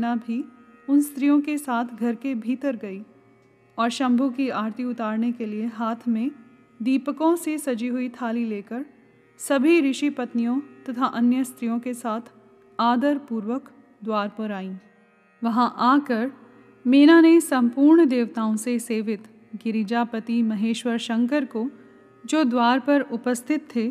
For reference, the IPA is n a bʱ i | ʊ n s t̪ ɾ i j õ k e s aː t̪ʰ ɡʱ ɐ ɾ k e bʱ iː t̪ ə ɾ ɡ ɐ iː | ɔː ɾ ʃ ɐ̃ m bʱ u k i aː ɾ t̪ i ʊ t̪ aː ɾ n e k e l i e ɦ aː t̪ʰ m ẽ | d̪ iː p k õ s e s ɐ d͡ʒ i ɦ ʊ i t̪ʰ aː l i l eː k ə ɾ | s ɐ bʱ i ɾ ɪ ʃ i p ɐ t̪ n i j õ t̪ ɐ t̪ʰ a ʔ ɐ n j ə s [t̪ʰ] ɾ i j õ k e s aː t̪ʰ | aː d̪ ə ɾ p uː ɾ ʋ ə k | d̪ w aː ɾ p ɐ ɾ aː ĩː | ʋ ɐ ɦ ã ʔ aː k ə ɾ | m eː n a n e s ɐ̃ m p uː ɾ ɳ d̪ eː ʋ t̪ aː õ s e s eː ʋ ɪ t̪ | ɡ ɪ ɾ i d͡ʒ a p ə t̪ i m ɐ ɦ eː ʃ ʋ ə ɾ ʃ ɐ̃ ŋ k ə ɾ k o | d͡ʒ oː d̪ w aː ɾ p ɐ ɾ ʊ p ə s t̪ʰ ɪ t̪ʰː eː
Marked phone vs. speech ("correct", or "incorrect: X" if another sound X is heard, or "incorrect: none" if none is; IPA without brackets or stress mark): incorrect: t̪